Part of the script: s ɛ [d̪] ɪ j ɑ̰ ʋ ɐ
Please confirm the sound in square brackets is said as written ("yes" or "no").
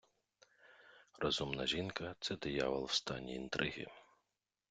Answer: yes